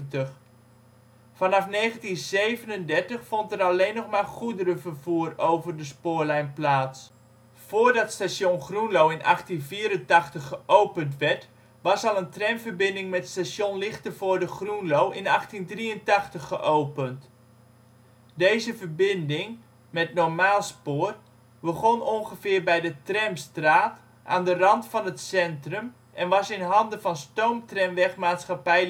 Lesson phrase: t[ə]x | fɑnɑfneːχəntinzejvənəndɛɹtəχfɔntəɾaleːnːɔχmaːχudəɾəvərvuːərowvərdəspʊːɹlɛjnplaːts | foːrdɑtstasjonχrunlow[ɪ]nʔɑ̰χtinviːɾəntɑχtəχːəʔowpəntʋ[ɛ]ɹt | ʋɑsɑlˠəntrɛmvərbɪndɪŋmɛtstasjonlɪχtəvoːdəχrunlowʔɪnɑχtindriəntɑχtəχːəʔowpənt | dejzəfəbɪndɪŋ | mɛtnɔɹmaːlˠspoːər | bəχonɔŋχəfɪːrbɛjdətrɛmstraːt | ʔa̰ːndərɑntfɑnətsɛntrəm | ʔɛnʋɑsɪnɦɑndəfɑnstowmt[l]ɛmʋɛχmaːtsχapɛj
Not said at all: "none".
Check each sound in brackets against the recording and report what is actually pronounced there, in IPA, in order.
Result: ə, ɪ, ɛ, r

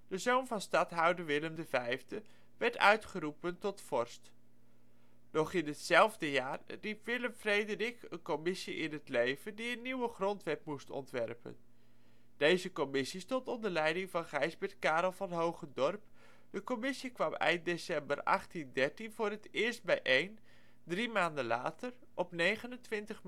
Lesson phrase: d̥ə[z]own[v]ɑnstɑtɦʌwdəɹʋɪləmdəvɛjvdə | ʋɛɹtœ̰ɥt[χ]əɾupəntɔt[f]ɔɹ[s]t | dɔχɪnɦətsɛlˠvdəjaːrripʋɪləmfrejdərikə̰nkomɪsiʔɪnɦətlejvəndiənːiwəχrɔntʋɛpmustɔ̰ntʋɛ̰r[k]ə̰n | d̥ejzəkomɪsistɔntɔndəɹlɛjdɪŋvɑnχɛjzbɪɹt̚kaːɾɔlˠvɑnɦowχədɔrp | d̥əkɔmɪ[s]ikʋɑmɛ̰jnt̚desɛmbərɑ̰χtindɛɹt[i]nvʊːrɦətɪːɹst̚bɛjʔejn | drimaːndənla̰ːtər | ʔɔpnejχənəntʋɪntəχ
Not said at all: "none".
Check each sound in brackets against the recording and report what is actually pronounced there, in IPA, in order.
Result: z, v, χ, f, s, p, s, i

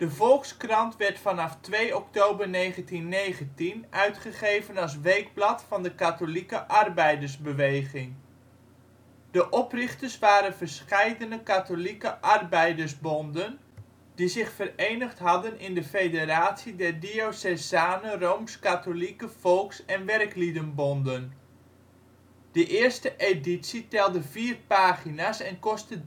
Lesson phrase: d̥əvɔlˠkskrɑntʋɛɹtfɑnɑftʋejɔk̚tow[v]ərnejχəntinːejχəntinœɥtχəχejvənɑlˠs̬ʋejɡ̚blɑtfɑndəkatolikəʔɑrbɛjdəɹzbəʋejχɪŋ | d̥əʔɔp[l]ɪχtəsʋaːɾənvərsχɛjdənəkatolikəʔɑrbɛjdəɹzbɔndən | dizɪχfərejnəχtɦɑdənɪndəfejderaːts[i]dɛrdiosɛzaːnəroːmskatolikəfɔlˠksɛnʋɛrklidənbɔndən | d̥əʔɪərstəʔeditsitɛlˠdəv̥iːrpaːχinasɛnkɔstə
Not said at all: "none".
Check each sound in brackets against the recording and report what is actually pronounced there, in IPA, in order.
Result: b, r, i

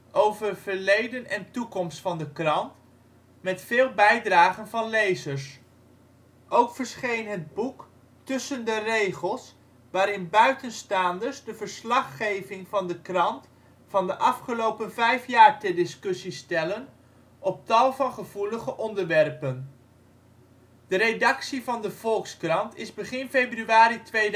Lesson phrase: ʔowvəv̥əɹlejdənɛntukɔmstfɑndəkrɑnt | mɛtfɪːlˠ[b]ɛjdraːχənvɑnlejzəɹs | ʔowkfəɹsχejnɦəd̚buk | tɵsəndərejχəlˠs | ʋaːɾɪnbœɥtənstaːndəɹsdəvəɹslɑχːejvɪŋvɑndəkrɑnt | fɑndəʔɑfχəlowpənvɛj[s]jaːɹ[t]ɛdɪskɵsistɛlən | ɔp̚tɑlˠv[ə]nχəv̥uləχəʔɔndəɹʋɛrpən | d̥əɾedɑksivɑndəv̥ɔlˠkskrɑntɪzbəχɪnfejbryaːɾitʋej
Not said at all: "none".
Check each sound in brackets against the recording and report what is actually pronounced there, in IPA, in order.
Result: b, f, t, ɑ

